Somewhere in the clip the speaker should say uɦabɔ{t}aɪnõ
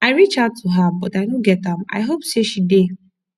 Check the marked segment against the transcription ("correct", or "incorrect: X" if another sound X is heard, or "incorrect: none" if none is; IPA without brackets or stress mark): correct